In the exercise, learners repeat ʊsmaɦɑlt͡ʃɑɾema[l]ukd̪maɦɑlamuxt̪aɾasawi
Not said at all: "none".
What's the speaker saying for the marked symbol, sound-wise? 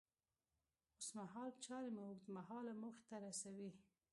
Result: none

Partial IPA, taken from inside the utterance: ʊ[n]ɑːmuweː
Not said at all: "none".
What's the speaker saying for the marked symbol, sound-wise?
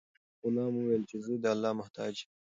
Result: n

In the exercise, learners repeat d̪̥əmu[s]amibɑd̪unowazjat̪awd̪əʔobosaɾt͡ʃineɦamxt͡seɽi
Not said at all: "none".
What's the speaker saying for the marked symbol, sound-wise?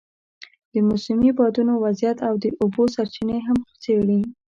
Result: s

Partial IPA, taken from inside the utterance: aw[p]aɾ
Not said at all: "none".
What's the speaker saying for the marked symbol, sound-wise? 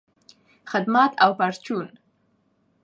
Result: p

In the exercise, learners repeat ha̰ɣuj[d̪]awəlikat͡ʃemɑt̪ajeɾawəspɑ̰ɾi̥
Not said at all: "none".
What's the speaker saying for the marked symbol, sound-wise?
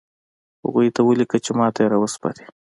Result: t̪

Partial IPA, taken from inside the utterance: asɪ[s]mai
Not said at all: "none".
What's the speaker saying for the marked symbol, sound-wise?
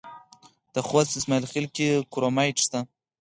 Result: s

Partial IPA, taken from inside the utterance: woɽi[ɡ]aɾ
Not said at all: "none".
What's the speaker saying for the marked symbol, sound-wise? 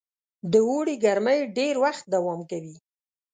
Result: ɡ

